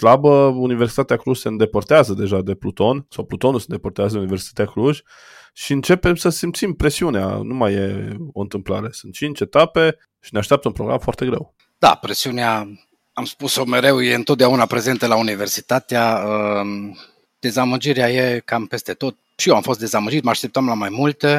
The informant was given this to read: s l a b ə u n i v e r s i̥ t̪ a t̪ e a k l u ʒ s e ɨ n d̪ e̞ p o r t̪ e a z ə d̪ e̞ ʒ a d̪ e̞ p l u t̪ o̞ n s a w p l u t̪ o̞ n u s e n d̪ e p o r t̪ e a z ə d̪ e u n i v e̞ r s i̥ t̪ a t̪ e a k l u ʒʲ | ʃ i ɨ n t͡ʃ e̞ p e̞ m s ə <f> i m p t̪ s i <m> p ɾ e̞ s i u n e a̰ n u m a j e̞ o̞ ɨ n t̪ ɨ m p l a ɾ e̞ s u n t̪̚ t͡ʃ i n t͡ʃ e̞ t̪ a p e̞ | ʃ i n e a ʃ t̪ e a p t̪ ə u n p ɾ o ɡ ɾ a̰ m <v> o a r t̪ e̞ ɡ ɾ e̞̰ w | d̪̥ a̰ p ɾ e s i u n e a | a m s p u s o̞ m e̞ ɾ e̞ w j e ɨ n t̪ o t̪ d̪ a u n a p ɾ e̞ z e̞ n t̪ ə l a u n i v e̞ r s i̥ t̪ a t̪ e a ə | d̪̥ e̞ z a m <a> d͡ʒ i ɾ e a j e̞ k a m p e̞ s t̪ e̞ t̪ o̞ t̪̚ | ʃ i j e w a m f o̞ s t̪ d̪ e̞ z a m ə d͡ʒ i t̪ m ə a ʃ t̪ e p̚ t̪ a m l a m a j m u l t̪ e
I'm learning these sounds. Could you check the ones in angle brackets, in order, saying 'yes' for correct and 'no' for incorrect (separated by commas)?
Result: no, yes, no, no